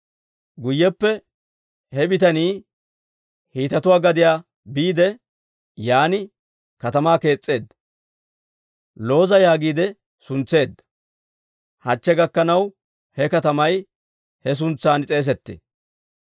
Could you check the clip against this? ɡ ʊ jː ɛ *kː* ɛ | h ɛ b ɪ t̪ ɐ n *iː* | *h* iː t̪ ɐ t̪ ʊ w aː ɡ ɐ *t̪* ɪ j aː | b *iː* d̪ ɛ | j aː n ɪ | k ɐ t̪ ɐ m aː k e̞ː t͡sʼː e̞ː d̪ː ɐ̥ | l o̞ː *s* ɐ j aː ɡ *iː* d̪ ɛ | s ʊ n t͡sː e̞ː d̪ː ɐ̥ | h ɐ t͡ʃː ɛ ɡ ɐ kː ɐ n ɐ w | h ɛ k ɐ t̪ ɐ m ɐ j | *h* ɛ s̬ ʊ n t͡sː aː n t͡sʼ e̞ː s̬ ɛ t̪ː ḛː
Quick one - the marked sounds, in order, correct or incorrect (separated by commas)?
incorrect, correct, correct, incorrect, correct, incorrect, correct, correct